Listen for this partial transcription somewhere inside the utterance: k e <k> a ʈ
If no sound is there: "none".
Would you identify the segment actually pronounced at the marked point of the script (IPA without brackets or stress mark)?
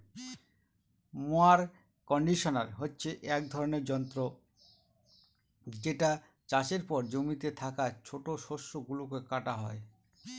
k